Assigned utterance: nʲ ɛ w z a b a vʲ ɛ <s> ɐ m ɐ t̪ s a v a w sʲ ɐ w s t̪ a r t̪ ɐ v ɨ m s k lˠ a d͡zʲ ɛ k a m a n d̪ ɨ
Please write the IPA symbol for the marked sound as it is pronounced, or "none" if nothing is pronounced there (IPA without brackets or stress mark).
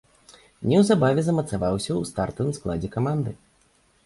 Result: z